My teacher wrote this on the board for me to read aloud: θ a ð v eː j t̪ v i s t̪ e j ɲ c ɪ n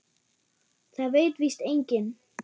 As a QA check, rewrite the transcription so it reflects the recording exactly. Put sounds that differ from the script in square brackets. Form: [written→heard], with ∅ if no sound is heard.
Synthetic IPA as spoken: θ a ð v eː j t̪ v i s t̪ e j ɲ c ɪ n